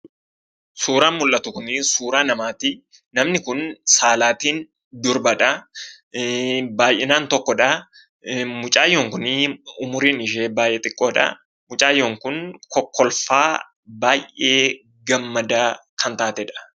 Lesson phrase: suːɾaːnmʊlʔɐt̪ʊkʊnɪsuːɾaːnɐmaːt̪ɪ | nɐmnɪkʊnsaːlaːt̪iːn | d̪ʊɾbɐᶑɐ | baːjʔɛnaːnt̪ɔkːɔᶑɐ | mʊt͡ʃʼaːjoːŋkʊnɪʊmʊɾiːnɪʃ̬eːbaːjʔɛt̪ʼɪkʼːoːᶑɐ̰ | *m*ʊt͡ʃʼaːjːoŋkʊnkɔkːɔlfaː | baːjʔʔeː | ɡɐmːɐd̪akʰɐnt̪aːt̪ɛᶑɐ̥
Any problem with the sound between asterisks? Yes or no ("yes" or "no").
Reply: no